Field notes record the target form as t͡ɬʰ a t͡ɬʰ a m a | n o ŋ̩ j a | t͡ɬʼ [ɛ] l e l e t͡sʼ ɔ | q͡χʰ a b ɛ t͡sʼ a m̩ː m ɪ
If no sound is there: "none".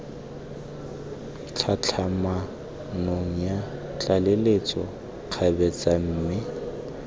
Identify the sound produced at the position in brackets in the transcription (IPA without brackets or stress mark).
a